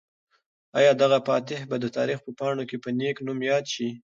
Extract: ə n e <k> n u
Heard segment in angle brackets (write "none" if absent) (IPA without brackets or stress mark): k